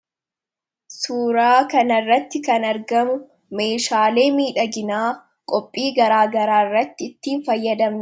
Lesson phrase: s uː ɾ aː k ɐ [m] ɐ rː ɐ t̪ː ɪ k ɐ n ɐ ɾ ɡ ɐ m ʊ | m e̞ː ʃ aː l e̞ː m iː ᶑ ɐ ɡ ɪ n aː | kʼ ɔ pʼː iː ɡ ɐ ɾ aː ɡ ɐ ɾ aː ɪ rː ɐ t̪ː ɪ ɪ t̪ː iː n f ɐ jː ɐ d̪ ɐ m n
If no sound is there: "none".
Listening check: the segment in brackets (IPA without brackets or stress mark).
n